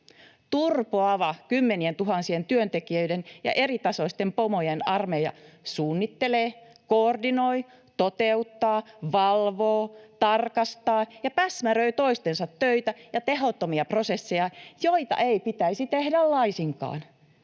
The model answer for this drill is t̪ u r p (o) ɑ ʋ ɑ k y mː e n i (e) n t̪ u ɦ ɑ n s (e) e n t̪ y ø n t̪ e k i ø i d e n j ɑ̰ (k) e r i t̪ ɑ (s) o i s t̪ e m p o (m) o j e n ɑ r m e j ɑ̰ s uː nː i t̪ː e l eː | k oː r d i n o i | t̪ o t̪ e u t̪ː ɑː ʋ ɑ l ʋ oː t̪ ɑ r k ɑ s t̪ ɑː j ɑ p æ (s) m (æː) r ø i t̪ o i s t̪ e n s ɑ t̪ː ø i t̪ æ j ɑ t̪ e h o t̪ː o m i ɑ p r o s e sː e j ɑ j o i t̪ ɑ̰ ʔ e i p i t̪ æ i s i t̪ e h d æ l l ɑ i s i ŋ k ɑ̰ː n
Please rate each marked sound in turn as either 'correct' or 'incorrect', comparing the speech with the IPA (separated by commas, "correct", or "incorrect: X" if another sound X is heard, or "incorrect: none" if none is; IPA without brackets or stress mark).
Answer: correct, correct, incorrect: i, incorrect: ʔ, correct, correct, correct, incorrect: æ